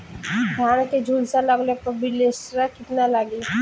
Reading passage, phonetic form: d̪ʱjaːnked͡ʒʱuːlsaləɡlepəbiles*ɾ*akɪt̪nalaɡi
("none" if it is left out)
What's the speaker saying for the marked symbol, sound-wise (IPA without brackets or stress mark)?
ɾ